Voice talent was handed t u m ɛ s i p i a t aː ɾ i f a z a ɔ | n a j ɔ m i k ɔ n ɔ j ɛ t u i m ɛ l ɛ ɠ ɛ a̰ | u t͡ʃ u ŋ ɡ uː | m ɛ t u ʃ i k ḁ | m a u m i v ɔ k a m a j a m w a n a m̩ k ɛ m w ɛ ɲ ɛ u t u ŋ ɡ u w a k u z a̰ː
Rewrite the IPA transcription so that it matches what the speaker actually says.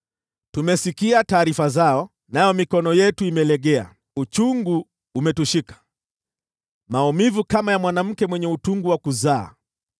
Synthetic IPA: t u m ɛ s i k i a t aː ɾ i f a z a ɔ | n a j ɔ m i k ɔ n ɔ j ɛ t u i m ɛ l ɛ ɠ ɛ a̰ | u t͡ʃ u ŋ ɡ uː | m ɛ t u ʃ i k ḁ | m a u m i v u k a m a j a m w a n a m̩ k ɛ m w ɛ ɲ ɛ u t u ŋ ɡ u w a k u z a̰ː